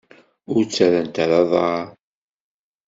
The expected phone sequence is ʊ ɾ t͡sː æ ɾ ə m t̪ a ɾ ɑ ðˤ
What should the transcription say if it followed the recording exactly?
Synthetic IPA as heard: ʊ ɾ t͡sː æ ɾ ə n t̪ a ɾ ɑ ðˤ